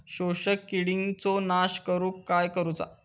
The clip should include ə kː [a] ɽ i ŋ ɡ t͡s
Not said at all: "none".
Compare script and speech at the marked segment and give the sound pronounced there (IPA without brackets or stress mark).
i